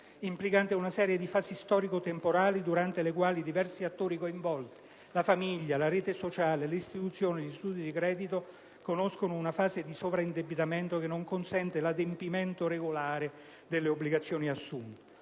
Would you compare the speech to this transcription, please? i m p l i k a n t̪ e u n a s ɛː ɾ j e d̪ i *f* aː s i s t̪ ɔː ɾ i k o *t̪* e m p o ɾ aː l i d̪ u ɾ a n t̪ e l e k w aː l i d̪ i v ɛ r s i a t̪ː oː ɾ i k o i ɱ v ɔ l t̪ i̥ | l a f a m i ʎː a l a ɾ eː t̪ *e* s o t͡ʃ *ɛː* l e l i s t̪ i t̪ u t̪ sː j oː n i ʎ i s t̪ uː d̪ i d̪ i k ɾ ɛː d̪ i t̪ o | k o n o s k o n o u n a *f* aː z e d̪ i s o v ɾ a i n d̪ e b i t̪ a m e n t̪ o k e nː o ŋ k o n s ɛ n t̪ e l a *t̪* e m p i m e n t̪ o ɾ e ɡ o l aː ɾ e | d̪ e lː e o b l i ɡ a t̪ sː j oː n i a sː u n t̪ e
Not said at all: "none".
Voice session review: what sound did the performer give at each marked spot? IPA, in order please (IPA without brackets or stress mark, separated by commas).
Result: f, t̪, e, aː, f, d̪